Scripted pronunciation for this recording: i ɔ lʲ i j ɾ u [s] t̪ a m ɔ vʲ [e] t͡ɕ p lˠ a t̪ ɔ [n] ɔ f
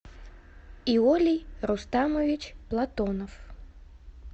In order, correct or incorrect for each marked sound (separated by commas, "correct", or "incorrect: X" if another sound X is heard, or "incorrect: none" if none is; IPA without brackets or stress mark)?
correct, incorrect: i, correct